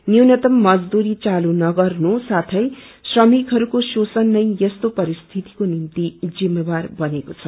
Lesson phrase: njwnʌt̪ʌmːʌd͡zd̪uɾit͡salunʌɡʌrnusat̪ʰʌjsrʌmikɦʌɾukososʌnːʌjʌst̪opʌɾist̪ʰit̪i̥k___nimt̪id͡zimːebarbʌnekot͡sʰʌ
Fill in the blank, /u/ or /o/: o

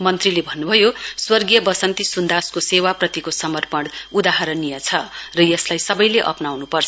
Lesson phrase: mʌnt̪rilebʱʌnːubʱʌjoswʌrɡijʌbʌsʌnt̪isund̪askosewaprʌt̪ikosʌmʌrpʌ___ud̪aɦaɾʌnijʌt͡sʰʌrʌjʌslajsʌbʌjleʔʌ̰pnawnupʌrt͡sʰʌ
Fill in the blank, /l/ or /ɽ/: ɽ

